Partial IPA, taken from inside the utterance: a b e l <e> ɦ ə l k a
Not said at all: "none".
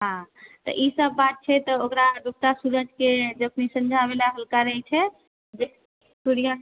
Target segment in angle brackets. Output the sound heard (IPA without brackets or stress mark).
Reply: a